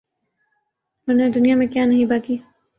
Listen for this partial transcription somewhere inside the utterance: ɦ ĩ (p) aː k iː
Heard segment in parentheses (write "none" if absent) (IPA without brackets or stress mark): b